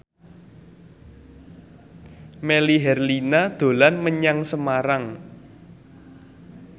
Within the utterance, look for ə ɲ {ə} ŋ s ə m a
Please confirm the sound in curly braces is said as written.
no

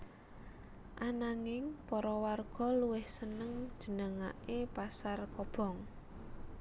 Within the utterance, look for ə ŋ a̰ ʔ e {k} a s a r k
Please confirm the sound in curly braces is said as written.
no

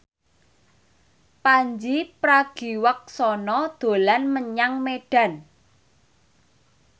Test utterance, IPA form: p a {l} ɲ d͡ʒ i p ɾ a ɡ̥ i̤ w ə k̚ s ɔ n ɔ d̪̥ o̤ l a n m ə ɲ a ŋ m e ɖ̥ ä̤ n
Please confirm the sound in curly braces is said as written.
no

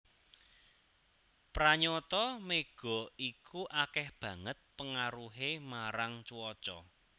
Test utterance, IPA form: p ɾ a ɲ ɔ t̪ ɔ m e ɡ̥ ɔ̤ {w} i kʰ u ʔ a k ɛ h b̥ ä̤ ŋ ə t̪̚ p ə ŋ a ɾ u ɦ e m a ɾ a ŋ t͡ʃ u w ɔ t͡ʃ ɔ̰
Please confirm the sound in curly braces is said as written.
no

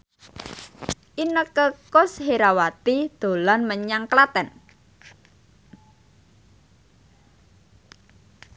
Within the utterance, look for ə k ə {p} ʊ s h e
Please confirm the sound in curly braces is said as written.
no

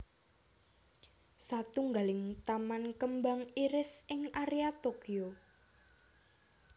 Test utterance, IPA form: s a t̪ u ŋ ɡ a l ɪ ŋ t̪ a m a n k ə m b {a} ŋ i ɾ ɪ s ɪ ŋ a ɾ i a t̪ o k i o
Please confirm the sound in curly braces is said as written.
yes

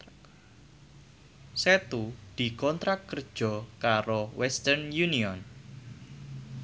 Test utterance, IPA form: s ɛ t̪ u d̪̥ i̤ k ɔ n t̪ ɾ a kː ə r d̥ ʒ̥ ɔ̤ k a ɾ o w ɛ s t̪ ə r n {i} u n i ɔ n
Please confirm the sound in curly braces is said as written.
no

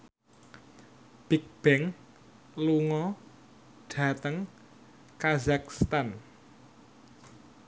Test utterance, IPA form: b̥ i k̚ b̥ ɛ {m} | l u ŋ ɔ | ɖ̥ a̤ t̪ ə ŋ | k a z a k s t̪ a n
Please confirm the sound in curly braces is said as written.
no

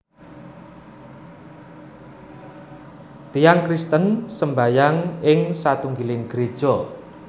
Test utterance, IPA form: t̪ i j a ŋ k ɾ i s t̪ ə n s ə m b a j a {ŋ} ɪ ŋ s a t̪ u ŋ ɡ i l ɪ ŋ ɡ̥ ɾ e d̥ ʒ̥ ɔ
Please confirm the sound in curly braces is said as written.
yes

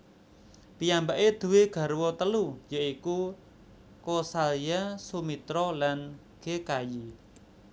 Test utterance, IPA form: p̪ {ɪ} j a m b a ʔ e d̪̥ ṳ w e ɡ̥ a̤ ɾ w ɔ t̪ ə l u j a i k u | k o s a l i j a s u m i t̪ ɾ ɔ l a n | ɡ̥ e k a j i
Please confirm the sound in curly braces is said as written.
no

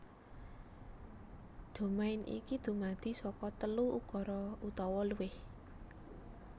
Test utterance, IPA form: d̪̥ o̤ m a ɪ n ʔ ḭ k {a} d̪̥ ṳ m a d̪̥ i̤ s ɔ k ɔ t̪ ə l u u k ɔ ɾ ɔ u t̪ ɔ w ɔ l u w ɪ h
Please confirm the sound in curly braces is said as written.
no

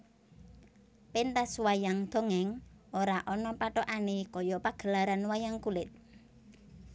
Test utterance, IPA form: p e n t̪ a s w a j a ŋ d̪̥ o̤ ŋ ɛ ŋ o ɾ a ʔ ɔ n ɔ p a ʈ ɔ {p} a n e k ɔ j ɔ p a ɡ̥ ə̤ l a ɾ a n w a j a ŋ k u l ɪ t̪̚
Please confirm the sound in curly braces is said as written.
no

